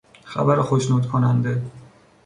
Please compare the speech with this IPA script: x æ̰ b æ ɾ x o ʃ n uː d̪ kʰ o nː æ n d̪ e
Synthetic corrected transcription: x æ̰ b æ ɾ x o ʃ n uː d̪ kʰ o n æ n d̪ e